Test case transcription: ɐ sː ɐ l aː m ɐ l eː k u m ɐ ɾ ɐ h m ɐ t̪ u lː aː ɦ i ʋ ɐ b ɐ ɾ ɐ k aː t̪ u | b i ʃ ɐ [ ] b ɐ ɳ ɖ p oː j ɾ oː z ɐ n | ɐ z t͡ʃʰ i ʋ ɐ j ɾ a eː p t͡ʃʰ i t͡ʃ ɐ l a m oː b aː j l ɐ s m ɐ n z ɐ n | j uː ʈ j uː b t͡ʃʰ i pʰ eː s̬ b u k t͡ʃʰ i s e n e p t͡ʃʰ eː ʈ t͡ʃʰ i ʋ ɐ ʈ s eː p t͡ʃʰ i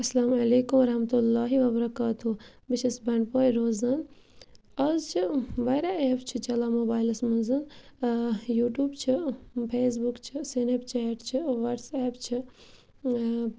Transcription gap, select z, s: s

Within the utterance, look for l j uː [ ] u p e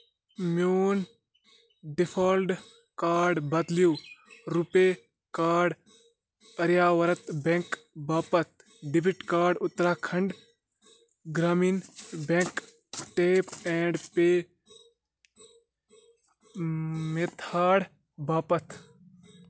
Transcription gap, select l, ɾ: ɾ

